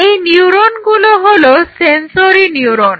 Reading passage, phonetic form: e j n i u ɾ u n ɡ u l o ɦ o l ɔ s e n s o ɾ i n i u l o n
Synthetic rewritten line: e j n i u ɾ o n ɡ u l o ɦ o l o s e n s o ɾ i n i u ɾ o n

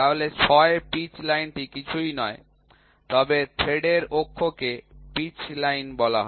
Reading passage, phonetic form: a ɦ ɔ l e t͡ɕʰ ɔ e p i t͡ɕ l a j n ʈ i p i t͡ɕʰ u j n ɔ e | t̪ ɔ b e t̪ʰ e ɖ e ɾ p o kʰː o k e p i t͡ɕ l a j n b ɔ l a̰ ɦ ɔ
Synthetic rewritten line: a ɦ o l e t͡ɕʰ ɔ e p i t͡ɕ l a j n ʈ i k i t͡ɕʰ u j n ɔ e | t̪ ɔ b e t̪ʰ e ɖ e ɾ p o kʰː o k e p i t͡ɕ l a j n b ɔ l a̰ ɦ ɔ

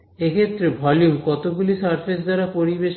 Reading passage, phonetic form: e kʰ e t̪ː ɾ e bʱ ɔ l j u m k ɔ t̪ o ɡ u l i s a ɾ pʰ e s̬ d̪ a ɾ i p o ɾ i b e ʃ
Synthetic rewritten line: e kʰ e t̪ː ɾ e bʱ ɔ l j u m k ɔ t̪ o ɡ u l i s a ɾ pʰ e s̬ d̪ a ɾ a p o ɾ i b e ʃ

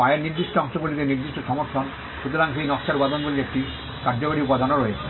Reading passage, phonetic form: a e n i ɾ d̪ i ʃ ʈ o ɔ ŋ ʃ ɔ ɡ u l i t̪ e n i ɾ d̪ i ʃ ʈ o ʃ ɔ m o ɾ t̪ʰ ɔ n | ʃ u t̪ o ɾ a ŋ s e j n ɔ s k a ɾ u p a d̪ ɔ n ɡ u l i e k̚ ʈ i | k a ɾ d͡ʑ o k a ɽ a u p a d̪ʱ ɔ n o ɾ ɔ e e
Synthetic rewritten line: a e n i ɾ d̪ i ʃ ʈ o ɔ ŋ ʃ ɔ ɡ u l i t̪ e n i ɾ d̪ i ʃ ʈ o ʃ ɔ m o ɾ t̪ʰ ɔ n | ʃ u t̪ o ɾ a ŋ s e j n ɔ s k a ɾ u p a d̪ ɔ n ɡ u l i e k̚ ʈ i | k a ɾ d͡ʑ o k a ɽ i u p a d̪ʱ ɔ n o ɾ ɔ e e

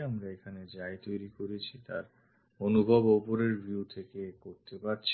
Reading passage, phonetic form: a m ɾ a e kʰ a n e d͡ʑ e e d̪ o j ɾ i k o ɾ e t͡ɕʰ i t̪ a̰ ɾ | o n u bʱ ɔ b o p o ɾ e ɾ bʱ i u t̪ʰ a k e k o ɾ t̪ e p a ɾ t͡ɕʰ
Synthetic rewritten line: a m ɾ a e kʰ a n e d͡ʑ a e t̪ o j ɾ i k o ɾ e t͡ɕʰ i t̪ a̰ ɾ | o n u bʱ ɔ b o p o ɾ e ɾ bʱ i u t̪ʰ e k e k o ɾ t̪ e p a ɾ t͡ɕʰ

